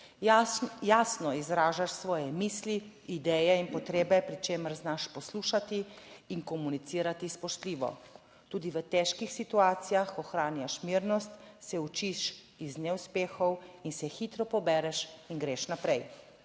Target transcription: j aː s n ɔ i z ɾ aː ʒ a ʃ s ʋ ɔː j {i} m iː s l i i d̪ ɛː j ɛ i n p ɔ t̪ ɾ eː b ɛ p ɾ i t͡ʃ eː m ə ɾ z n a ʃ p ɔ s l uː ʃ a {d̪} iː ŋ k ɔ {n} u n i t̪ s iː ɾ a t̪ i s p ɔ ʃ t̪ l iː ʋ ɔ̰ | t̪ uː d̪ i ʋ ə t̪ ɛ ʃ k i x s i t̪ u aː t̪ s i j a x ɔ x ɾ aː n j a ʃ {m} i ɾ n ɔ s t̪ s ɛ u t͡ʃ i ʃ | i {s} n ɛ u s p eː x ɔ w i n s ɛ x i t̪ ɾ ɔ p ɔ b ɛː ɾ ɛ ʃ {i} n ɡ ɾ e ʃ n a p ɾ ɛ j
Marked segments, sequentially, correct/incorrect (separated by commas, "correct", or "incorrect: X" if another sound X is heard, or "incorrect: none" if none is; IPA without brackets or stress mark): incorrect: ɛ, incorrect: t̪, incorrect: m, correct, incorrect: z, correct